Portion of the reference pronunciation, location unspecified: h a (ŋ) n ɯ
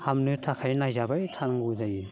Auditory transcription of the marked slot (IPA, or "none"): m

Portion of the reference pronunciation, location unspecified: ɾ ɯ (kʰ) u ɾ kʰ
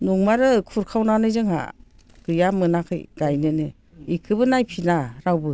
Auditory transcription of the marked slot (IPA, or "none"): kʰ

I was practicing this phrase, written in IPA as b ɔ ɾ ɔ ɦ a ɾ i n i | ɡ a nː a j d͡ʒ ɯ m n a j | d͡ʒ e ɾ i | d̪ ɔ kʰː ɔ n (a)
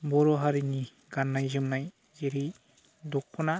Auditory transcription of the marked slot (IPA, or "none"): a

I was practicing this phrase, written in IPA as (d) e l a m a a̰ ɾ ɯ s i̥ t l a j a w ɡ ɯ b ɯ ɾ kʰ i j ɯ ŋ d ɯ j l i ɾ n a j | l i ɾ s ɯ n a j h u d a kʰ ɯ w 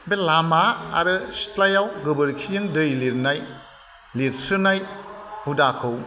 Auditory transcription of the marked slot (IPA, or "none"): b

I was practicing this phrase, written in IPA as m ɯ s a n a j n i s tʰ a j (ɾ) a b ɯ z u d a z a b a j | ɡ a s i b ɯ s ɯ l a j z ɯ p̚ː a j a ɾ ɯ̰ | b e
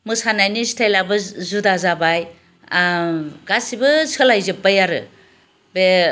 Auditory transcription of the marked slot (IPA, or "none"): l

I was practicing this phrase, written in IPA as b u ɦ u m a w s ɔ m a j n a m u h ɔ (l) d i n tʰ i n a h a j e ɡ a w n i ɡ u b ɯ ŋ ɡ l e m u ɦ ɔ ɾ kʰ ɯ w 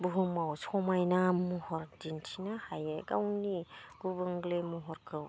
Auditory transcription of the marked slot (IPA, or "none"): ɾ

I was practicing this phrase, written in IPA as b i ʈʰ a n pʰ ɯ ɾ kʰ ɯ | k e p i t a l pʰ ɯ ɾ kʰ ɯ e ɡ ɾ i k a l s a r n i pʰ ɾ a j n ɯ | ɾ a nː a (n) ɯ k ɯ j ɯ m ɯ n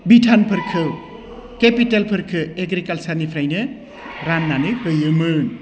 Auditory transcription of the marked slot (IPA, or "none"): n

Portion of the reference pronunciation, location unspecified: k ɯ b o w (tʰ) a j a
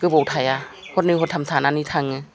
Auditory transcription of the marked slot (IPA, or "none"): tʰ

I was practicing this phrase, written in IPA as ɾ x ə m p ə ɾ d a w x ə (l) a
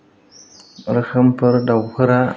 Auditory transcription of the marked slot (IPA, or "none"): ɾ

